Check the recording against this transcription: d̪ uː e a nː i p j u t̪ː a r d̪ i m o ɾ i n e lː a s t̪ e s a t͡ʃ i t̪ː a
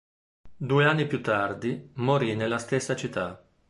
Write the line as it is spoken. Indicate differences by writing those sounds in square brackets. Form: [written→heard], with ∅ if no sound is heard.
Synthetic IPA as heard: d̪ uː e a nː i p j u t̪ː a r d̪ i m o ɾ i n e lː a s t̪ e [s→sː] a t͡ʃ i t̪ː a